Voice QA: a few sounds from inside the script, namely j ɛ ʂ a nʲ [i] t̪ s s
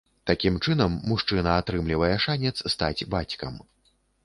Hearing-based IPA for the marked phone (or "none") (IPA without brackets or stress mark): ɛ